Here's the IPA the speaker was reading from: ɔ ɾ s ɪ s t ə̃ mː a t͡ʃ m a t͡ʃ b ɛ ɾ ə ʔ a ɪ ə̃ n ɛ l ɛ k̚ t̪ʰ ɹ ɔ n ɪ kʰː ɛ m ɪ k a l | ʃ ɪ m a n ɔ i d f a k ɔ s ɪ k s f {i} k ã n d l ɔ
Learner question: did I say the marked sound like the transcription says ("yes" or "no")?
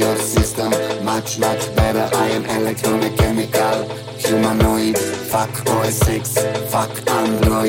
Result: no